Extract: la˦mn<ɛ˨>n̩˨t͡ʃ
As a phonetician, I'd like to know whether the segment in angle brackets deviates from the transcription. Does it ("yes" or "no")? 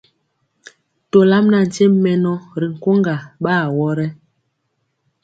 yes